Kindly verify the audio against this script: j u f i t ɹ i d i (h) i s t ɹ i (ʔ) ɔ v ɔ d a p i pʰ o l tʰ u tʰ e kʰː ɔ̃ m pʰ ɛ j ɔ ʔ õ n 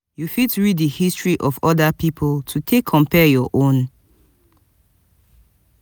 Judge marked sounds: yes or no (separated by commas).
yes, yes